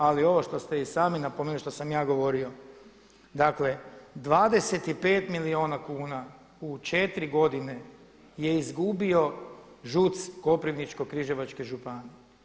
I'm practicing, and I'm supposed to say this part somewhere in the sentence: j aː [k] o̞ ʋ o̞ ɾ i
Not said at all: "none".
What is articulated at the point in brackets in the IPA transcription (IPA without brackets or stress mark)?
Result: ɡ